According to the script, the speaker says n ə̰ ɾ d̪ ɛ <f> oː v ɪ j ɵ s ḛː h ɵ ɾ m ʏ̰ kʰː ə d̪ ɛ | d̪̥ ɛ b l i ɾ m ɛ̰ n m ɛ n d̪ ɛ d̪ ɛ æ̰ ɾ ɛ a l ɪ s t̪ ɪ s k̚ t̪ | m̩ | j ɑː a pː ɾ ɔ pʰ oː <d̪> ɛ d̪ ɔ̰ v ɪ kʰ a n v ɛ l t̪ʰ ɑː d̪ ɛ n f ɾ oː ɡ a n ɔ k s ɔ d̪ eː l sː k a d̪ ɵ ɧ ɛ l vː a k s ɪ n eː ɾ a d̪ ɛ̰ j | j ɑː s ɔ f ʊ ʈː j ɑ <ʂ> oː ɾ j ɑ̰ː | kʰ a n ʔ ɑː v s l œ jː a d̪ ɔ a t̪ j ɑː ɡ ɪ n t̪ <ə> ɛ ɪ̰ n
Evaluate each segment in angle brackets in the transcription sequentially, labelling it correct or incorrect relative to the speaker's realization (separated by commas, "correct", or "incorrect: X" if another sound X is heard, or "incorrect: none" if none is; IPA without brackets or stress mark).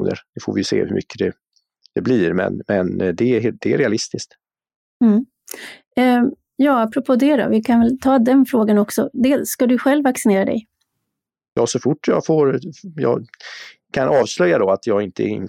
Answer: correct, correct, incorrect: f, correct